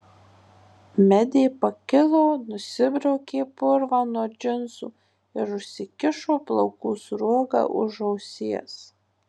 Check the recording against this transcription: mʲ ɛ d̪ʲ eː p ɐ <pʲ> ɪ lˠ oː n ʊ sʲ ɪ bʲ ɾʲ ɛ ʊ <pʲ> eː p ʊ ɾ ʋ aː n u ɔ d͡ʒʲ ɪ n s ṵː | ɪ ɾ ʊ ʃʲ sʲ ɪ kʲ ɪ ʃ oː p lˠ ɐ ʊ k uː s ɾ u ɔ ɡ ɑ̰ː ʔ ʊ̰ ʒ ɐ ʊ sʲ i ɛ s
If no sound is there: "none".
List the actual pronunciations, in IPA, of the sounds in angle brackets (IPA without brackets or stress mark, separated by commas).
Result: kʲ, kʲ